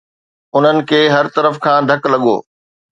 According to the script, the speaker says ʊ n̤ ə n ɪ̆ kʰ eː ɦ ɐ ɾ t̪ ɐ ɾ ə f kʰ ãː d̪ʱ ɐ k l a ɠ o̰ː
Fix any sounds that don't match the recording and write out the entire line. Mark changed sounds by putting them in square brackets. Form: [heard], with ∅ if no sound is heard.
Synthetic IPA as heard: ʊ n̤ ə n ɪ̆ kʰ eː ɦ ɐ ɾ t̪ ɐ ɾ ə f kʰ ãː d̪ʱ ɐ k l [ɐ] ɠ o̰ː